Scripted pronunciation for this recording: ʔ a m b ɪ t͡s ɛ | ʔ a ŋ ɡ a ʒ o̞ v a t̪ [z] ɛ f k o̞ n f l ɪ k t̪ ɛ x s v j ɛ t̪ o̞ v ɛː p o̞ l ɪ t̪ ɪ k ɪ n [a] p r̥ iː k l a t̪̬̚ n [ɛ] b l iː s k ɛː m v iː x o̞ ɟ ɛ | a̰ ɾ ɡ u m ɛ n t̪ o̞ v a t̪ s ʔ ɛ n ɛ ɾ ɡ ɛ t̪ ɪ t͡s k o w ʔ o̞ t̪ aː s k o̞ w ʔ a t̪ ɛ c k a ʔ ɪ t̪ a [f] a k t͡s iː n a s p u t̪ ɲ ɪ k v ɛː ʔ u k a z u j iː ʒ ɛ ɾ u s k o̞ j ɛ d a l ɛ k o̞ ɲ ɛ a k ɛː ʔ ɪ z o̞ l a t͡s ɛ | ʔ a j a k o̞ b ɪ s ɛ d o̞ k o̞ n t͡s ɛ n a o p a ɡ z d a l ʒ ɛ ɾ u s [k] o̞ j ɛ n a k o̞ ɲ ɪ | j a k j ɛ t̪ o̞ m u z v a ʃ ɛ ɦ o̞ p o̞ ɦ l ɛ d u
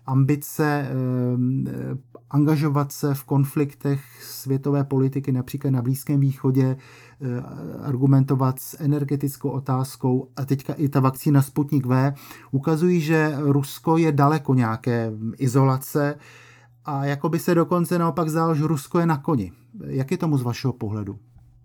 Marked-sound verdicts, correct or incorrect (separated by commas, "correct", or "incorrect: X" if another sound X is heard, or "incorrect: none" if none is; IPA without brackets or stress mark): incorrect: s, correct, incorrect: a, incorrect: v, correct